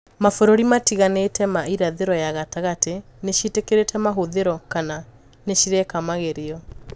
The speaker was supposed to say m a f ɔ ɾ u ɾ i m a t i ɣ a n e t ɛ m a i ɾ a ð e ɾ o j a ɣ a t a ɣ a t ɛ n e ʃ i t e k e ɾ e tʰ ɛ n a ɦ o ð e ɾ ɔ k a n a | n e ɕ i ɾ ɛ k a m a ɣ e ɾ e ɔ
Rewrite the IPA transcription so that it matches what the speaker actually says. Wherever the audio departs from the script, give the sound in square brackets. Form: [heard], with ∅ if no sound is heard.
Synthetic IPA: m a f [o] ɾ [o] ɾ i m a t i ɣ a n e t ɛ m a i ɾ a ð e ɾ [ɔ] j a ɣ a t a ɣ a t [e] n e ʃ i t e k e ɾ e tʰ ɛ [m] a ɦ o ð e ɾ ɔ k a n a | n e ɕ i ɾ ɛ k a m a ɣ e ɾ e ɔ